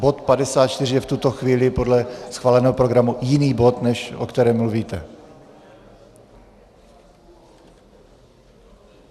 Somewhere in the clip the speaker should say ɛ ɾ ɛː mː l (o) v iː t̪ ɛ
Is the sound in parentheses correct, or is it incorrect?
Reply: incorrect